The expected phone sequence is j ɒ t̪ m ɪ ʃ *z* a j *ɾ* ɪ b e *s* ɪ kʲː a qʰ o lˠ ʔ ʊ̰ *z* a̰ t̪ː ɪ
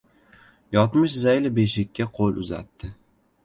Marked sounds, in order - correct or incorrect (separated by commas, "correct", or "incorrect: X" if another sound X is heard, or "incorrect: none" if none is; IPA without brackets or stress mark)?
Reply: correct, incorrect: l, incorrect: ʃ, correct